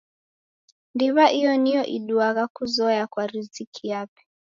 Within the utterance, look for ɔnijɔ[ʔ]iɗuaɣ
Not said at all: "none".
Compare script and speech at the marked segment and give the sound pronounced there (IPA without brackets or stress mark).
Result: ʔ